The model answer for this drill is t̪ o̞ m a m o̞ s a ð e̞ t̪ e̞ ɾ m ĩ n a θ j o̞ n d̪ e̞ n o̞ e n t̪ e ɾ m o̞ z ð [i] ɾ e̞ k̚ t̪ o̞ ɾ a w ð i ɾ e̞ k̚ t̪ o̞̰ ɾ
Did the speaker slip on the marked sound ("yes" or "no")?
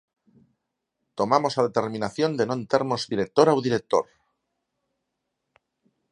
no